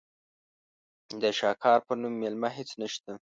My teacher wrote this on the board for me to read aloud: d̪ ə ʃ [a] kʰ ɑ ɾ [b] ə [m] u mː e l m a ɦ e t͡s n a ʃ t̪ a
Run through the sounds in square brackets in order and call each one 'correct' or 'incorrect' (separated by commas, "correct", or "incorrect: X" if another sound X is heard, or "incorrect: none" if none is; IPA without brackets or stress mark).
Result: incorrect: ɑ, incorrect: p, incorrect: n